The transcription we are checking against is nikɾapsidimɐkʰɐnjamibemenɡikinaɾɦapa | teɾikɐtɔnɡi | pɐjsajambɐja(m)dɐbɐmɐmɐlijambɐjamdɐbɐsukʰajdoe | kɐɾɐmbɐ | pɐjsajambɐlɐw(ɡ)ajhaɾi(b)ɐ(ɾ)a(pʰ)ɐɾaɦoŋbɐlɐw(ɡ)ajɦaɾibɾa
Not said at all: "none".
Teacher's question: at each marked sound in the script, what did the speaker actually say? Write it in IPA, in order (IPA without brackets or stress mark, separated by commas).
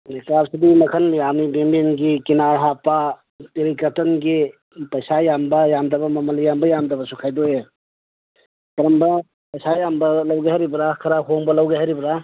m, ɡ, b, ɾ, kʰ, ɡ